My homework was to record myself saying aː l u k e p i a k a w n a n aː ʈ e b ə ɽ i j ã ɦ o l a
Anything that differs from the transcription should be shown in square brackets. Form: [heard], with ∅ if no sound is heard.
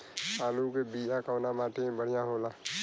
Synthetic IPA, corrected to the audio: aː l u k e [b] i a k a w n a [m] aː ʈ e b ə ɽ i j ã ɦ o l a